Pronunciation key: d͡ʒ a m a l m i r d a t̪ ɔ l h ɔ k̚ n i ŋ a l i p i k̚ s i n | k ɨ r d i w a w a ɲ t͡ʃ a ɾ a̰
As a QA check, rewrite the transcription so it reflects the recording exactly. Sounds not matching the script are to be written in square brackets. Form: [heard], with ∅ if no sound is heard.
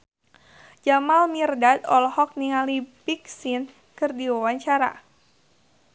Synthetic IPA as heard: d͡ʒ a m a l m i r d a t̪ ɔ l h ɔ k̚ n i ŋ a l i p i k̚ s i n | k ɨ r d i w a w a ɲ t͡ʃ a ɾ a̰